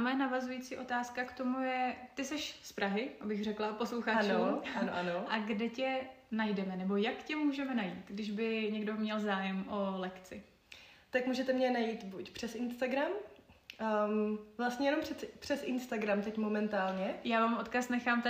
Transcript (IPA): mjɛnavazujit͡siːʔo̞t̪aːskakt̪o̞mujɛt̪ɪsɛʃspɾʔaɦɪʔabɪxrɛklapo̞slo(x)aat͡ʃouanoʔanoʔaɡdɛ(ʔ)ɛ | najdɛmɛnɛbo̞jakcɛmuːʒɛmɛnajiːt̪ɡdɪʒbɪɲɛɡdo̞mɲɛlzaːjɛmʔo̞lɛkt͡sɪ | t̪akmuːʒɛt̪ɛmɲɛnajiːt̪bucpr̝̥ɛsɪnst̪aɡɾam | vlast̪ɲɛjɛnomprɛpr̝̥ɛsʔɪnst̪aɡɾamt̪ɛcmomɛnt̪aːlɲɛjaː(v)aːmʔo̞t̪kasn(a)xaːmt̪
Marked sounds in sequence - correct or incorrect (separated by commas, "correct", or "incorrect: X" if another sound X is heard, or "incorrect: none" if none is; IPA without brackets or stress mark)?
correct, incorrect: c, correct, incorrect: ɛ